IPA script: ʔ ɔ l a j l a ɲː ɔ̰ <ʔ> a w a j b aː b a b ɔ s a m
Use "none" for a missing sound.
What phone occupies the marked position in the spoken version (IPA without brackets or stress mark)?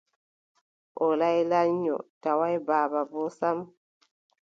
t